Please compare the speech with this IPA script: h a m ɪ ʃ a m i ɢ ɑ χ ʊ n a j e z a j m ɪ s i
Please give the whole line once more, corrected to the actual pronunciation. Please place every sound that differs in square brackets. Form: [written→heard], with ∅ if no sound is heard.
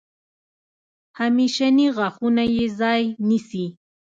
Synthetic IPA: h a m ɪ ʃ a [m→n] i ɢ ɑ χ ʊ n a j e z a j [m→n] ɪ s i

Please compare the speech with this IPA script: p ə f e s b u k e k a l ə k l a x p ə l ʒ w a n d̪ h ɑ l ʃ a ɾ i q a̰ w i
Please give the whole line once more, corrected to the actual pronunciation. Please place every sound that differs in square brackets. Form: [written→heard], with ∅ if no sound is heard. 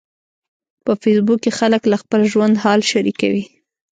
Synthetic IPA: p ə f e s b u k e [k→x] a l ə k l a x p ə l ʒ w a n d̪ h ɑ l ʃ a ɾ i [q→k] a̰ w i

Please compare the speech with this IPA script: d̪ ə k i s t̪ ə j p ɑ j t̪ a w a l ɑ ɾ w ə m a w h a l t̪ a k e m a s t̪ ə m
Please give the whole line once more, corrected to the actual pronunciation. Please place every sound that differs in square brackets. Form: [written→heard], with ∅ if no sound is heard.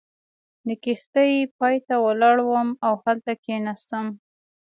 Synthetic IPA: d̪ ə k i [s→x] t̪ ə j p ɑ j t̪ a w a l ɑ [ɾ→ɽ] w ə m a w h a l t̪ a k e [m→n] a s t̪ ə m

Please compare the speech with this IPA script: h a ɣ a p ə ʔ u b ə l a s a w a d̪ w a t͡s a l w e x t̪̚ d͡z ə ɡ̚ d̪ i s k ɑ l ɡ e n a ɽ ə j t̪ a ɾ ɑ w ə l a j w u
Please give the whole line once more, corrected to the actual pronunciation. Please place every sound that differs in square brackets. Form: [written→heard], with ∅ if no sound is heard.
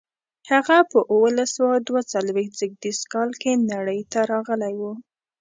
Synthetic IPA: h a ɣ a p ə ʔ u [b→w] ə l a s a w a d̪ w a t͡s a l w e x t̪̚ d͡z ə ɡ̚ d̪ i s k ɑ l [ɡ→k] e n a ɽ ə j t̪ a ɾ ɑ [w→ɣ] ə l a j w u

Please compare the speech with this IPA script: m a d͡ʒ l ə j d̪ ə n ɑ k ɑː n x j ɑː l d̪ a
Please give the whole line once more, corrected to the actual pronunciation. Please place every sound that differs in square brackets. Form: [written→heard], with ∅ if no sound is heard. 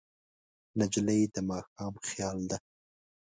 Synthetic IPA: [m→n] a d͡ʒ l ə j d̪ ə [n→m] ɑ [k→x] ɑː [n→m] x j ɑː l d̪ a

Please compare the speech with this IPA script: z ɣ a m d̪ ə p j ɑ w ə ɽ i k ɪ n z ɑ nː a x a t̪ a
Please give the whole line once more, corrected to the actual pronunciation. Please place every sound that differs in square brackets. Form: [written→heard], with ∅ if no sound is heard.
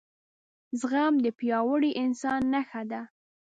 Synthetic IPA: z ɣ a m d̪ ə p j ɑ w ə ɽ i [k→ʔ] ɪ n [z→s] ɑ nː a x a [t̪→d̪] a

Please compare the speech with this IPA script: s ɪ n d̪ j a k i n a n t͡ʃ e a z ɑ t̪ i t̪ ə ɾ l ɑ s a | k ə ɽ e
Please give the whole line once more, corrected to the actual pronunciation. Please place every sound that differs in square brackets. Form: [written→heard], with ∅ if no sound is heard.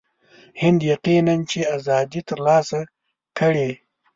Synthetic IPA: [s→h] ɪ n d̪ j a [k→q] i n a n t͡ʃ e a z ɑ [t̪→d̪] i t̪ ə ɾ l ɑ s a | k ə ɽ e

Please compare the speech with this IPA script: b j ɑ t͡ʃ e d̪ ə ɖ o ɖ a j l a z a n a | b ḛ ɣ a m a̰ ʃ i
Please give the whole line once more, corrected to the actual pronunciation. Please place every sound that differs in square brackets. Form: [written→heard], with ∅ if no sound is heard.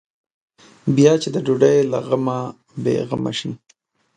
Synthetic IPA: b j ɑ t͡ʃ e d̪ ə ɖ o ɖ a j l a [z→ɣ] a [n→m] a | b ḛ ɣ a m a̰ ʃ i

